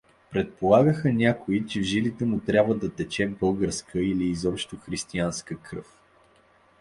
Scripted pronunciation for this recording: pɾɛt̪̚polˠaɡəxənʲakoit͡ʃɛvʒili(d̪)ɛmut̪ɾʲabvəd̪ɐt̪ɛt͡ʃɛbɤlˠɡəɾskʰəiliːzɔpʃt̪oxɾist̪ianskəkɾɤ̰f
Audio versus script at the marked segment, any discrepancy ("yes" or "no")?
yes